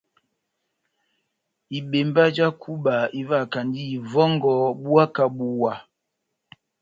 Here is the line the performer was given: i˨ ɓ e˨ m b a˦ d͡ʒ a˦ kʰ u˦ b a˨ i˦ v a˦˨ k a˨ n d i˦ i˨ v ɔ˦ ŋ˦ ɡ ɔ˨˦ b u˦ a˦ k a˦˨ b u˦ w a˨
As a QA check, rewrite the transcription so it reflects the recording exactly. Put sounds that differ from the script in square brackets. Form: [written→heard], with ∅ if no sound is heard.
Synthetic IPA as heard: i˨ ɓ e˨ m b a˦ d͡ʒ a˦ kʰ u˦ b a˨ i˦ v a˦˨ k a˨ n d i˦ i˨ v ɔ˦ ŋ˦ ɡ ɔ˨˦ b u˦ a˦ k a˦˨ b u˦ w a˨